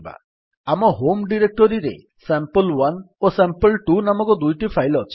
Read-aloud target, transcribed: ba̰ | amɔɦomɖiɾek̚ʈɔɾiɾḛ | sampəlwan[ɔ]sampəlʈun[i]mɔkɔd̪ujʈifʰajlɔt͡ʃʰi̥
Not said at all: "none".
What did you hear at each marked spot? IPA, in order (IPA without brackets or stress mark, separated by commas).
o, a